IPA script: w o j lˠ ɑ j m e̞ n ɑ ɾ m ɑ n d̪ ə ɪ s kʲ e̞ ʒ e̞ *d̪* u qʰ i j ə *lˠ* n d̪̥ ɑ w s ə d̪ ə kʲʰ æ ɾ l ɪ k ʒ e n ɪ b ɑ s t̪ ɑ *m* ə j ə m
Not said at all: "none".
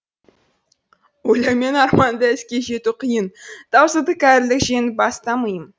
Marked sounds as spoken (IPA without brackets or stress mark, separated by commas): t̪, none, m